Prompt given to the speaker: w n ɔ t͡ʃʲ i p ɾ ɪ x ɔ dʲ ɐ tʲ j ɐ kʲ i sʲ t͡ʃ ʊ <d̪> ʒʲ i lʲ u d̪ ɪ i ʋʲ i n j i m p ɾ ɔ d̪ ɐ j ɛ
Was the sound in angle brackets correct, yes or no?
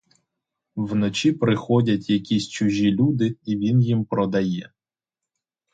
no